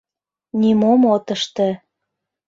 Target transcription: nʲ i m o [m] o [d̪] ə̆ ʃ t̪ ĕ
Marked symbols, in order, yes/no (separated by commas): yes, no